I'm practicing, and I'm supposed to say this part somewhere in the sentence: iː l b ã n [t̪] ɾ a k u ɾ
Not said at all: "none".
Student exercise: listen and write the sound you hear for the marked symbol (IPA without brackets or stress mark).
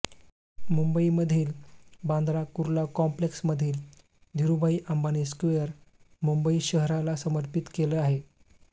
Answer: d̪